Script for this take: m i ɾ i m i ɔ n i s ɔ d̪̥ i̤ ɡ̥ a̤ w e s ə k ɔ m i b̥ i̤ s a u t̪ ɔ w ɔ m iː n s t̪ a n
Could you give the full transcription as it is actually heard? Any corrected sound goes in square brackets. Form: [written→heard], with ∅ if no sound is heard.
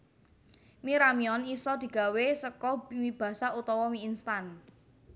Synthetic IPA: m i ɾ [i→a] m i ɔ n i s ɔ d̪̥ i̤ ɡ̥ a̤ w e s ə k ɔ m i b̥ [i̤→a̤] s a u t̪ ɔ w ɔ m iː n s t̪ a n